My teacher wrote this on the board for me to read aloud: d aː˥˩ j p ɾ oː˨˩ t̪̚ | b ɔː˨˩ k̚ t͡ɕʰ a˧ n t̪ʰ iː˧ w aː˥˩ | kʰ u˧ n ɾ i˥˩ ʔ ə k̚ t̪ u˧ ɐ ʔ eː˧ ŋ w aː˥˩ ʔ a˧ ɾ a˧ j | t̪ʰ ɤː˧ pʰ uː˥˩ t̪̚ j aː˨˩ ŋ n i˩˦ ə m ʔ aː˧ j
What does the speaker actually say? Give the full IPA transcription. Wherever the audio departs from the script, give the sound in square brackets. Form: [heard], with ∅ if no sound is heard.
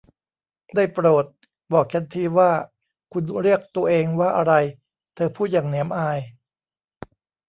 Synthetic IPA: d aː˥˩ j p ɾ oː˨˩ t̪̚ | b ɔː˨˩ k̚ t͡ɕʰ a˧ n t̪ʰ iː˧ w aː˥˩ | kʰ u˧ n ɾ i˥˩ [∅] ə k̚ t̪ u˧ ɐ ʔ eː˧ ŋ w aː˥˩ ʔ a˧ ɾ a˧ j | t̪ʰ ɤː˧ pʰ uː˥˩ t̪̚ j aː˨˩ ŋ n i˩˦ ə m ʔ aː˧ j

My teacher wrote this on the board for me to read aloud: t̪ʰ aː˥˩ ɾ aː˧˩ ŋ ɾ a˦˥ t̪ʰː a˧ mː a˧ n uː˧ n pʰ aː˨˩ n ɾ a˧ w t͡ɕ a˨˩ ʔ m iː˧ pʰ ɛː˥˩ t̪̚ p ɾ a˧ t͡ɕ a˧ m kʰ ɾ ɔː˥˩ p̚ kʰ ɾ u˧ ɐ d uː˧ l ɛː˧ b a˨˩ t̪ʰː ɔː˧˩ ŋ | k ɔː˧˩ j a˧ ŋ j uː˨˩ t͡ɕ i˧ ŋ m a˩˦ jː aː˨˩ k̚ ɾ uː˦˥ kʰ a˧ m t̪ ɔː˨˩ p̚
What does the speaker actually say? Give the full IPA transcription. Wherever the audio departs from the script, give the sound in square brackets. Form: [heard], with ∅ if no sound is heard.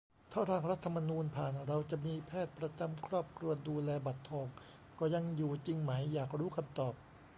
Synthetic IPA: t̪ʰ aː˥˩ ɾ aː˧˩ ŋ ɾ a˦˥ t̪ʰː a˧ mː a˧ n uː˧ n pʰ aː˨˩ n ɾ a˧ w t͡ɕ a˨˩ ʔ m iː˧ pʰ ɛː˥˩ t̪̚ p ɾ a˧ t͡ɕ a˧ m kʰ ɾ ɔː˥˩ p̚ kʰ ɾ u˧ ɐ d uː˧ l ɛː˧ b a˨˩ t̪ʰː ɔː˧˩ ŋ | k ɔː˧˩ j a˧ ŋ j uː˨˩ t͡ɕ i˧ ŋ m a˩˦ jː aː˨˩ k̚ ɾ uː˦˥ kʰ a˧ m t̪ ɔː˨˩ p̚

